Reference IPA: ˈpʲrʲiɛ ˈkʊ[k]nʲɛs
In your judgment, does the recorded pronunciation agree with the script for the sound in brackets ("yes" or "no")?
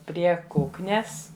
yes